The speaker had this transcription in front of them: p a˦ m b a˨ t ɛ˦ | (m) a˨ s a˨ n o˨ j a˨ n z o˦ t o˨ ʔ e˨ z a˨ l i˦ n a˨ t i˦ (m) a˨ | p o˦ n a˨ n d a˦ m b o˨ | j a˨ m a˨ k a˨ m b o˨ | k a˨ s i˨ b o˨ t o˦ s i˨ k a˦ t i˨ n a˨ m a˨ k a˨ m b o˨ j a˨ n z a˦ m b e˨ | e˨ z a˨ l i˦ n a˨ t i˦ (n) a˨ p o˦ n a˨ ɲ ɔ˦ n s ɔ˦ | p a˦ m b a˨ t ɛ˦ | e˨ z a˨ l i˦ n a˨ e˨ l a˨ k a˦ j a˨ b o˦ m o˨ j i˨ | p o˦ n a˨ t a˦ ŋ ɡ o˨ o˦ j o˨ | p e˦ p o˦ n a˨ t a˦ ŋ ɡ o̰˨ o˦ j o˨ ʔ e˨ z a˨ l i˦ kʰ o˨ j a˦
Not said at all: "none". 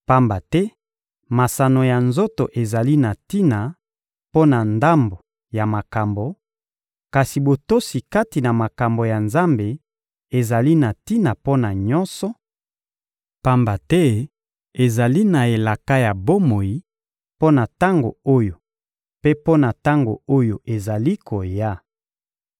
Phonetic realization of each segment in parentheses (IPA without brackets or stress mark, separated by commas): m, n, n